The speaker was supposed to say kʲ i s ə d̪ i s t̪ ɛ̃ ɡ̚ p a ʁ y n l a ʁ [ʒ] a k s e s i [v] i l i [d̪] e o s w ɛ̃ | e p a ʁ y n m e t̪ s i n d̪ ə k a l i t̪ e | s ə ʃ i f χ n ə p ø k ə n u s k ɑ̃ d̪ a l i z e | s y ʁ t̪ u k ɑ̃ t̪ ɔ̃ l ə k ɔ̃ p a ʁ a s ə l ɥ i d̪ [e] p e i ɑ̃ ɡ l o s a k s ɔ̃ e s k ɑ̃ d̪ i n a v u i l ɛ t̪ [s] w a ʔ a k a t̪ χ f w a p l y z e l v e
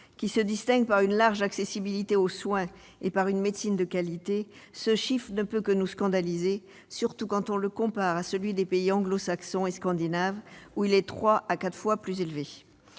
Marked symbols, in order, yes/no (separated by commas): yes, no, no, yes, no